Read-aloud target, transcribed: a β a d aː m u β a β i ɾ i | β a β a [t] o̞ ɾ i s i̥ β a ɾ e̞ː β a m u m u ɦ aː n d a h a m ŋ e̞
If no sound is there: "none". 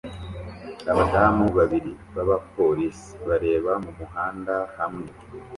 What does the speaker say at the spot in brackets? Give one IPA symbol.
p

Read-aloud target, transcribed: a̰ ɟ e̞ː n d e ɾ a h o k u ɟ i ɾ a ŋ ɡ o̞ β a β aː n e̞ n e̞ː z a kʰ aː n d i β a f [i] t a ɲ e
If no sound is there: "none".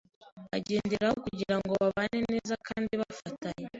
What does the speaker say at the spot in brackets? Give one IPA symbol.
a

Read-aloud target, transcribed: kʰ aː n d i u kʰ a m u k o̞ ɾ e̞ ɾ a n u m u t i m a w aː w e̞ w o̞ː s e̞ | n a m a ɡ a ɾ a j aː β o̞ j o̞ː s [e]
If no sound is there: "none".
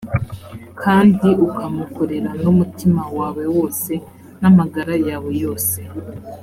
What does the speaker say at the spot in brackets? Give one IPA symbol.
e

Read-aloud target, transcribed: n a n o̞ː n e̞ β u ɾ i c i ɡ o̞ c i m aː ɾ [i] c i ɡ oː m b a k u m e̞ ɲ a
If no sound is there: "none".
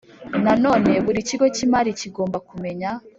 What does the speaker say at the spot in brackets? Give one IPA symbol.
i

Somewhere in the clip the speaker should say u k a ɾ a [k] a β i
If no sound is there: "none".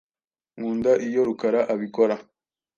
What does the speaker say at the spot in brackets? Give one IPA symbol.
ʔ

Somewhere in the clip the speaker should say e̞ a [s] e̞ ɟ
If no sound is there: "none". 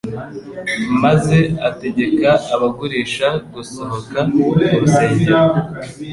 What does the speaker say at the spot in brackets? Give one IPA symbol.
t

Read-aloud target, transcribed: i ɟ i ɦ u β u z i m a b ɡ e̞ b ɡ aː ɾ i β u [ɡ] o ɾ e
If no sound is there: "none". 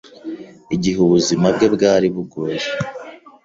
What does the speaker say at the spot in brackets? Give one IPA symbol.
ɡ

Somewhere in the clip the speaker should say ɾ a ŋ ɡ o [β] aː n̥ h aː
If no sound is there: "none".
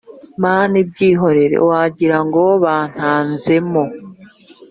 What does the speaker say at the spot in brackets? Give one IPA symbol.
β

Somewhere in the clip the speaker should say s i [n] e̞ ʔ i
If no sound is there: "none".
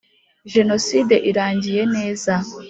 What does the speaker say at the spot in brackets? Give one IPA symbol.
d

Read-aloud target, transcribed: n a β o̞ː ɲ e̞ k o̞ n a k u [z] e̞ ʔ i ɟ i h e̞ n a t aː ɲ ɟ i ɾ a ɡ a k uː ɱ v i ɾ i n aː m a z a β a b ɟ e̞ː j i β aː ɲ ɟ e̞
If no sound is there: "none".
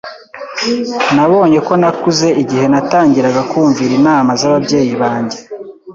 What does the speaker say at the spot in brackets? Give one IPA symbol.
z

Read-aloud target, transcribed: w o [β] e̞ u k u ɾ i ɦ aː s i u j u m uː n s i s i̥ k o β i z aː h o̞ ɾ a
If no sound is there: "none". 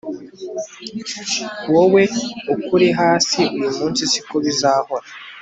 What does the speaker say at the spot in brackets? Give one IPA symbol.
w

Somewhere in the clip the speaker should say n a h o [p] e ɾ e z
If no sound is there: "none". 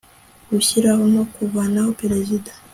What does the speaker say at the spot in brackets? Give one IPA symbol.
p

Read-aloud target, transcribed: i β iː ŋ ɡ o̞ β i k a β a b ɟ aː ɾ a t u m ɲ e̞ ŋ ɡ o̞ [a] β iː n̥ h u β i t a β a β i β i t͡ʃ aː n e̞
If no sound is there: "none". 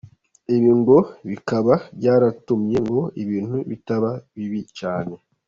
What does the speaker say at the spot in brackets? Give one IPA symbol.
i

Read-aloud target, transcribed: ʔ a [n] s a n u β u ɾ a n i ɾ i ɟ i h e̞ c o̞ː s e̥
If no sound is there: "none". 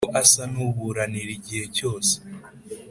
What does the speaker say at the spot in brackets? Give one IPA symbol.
none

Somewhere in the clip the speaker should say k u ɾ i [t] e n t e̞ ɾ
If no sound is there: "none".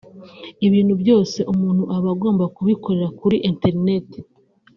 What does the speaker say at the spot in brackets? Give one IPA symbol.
ʔ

